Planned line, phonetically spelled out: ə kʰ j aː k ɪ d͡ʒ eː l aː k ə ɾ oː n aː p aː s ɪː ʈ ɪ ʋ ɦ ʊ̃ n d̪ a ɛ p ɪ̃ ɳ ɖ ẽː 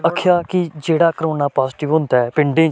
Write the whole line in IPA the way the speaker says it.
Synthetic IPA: ə kʰ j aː k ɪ d͡ʒ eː ɽ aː k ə ɾ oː n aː p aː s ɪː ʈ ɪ ʋ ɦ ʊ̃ n d̪ a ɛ p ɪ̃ ɳ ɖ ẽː

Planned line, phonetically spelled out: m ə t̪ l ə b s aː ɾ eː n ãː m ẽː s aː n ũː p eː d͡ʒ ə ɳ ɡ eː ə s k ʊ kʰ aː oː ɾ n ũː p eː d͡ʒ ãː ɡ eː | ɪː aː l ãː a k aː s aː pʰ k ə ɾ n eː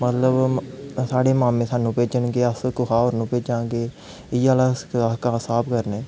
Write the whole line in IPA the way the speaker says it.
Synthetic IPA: m ə t̪ l ə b s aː ɽ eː m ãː m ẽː s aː n ũː p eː d͡ʒ ə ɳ ɡ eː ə s k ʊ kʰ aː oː ɾ n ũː p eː d͡ʒ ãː ɡ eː | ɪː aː l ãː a k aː s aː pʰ k ə ɾ n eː

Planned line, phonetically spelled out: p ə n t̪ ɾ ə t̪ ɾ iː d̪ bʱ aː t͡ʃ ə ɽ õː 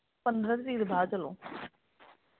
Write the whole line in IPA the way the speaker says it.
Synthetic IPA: p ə n d̪ ɾ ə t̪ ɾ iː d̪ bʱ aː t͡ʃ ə l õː

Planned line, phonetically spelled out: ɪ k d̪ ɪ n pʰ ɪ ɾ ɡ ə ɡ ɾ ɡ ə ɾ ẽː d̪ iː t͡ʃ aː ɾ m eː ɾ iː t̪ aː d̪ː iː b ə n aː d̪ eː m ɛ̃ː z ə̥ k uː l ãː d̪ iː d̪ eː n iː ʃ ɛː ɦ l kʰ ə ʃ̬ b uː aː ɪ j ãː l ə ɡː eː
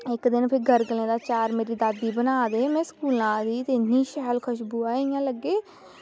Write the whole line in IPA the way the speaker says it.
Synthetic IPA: ɪ k d̪ ɪ n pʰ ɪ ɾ ɡ ə ɾ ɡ ə l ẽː d̪ aː t͡ʃ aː ɾ m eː ɾ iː d̪ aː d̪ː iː b ə n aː d̪ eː m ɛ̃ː s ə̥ k uː l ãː d̪ iː t̪ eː n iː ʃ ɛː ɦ l kʰ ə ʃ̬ b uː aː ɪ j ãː l ə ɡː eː

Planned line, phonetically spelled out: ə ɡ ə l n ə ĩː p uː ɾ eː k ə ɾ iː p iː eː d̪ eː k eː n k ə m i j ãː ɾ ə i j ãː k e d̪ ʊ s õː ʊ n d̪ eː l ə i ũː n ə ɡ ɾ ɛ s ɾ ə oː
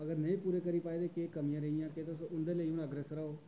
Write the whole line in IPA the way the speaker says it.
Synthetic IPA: ə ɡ ə ɾ n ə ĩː p uː ɾ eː k ə ɾ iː p aː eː d̪ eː k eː k ə m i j ãː ɾ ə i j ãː k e t̪ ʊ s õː ʊ n d̪ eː l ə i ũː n ə ɡ ɾ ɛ s ɾ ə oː

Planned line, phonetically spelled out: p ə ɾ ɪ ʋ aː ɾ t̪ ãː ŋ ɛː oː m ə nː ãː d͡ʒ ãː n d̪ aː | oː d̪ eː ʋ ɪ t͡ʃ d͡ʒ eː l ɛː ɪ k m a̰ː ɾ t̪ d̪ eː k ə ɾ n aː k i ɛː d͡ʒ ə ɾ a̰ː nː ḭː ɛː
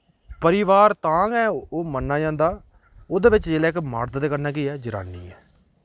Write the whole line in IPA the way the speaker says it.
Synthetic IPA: p ə ɾ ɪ ʋ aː ɾ t̪ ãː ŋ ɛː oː m ə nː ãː d͡ʒ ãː n d̪ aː | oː d̪ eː ʋ ɪ t͡ʃ d͡ʒ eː l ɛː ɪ k m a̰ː ɾ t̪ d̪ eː k ə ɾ n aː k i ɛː d͡ʒ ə ɾ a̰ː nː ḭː ɛː

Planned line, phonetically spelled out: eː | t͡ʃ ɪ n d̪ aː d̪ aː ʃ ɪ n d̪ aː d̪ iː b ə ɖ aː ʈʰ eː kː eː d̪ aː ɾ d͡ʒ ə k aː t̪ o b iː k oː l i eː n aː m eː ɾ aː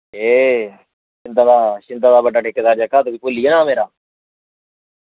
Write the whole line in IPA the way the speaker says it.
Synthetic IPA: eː | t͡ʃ ɪ n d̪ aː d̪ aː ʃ ɪ n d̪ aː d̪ aː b ə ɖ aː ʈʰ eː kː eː d̪ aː ɾ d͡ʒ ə k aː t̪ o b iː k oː l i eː n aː m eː ɾ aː

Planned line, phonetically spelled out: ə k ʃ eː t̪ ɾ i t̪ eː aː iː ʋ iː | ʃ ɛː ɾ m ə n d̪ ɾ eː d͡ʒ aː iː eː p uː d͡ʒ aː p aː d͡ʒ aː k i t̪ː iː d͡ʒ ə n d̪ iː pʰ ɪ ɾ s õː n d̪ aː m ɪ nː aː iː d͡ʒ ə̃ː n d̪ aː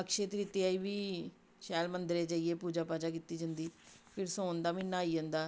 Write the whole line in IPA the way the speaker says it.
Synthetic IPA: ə k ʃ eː t̪ ɾ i t̪ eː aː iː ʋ iː | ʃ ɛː l m ə n d̪ ɾ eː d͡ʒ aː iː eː p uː d͡ʒ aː p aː d͡ʒ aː k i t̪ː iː d͡ʒ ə n d̪ iː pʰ ɪ ɾ s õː n d̪ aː m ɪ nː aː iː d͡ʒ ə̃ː n d̪ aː

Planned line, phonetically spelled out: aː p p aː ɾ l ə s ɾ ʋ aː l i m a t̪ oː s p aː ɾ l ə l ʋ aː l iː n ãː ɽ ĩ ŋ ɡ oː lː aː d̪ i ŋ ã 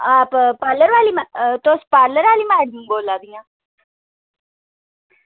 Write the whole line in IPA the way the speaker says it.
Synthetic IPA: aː p p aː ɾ l ə ɾ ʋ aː l i m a t̪ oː s p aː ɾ l ə ɾ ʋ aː l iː m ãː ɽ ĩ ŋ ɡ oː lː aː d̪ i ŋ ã

